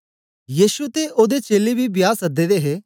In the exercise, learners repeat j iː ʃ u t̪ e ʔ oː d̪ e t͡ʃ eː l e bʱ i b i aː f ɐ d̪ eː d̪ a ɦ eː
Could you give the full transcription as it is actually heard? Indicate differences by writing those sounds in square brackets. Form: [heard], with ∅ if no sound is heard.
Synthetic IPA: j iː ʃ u t̪ e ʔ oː d̪ e t͡ʃ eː l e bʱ i b [j] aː [s] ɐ d̪ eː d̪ [e] ɦ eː